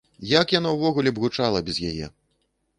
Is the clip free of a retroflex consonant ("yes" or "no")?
no